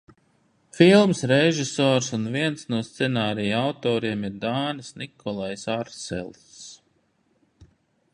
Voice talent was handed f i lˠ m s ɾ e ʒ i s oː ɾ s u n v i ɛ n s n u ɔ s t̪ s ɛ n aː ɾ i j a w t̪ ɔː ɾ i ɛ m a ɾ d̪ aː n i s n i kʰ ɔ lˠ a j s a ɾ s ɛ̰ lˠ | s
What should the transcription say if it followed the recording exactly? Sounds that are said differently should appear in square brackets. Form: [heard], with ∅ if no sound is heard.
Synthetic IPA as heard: f i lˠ m s ɾ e ʒ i s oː ɾ s u n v i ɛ n s n u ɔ s t̪ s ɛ n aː ɾ i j a w t̪ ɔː ɾ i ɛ m [i] ɾ d̪ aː n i s n i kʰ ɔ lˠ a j s a ɾ s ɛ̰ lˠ | s